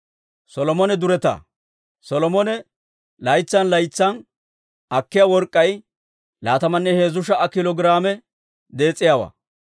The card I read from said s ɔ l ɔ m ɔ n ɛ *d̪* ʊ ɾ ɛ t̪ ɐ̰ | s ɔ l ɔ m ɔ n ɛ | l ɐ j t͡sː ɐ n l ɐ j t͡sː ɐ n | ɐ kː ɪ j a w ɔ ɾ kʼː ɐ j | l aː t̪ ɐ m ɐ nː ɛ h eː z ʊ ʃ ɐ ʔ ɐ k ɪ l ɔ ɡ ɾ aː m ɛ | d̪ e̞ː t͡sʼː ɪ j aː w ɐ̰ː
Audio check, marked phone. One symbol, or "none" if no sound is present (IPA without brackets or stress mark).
d̪